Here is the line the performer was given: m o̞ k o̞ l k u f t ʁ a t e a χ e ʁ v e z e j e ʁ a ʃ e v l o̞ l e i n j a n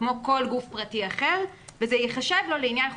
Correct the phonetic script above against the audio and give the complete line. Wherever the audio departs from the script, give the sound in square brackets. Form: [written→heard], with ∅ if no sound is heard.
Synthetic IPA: m o̞ k o̞ l [k→ɡ] u f [t→p] ʁ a t [e→i] a χ e ʁ v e z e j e [ʁ→χ] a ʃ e v l o̞ l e i n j a n